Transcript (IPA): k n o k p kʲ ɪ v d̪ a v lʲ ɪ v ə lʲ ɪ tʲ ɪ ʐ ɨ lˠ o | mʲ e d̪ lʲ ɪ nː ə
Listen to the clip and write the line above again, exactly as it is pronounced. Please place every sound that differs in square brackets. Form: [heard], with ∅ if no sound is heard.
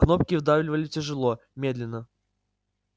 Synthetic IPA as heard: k n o [∅] p kʲ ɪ v d̪ a v lʲ ɪ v ə lʲ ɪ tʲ ɪ ʐ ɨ lˠ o | mʲ e d̪ lʲ ɪ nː ə